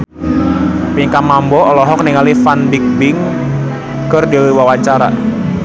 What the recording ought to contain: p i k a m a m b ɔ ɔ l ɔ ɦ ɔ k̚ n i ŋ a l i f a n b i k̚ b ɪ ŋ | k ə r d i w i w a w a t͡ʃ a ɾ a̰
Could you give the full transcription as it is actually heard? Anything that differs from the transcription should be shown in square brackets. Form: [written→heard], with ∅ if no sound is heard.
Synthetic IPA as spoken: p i k a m a m b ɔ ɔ l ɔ ɦ ɔ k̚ n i ŋ a l i f a n b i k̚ b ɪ ŋ | k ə r d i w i w a w a t͡ʃ a ɾ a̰